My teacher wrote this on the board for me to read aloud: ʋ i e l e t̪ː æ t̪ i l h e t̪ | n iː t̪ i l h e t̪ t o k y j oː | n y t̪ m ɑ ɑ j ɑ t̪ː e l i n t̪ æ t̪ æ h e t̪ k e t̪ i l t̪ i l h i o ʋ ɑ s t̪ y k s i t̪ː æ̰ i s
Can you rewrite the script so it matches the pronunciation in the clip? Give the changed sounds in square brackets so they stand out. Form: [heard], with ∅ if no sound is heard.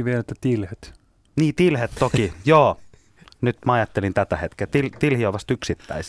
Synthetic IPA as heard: ʋ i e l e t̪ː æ t̪ i l h e t̪ | n iː t̪ i l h e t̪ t o k [i] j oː | n y t̪ m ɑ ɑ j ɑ t̪ː e l i n t̪ æ t̪ æ h e t̪ k e t̪ i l t̪ i l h i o ʋ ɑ s t̪ y k s i t̪ː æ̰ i s